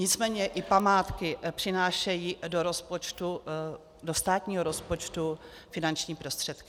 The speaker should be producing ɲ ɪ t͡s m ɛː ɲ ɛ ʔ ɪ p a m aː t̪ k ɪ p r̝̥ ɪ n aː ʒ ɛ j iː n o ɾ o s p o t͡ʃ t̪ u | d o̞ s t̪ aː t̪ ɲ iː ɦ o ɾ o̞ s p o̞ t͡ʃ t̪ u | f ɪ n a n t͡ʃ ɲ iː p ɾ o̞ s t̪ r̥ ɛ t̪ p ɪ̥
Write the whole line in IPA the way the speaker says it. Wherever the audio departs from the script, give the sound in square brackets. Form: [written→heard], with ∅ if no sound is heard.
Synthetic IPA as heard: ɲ ɪ t͡s m ɛː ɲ ɛ ʔ ɪ p a m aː t̪ k ɪ p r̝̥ ɪ n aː [ʒ→ʃ] ɛ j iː [n→d] o ɾ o s p o t͡ʃ t̪ u | d o̞ s t̪ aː t̪ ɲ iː ɦ o ɾ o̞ s p o̞ t͡ʃ t̪ u | f ɪ n a n t͡ʃ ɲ iː p ɾ o̞ s t̪ r̥ ɛ t̪ [p→k] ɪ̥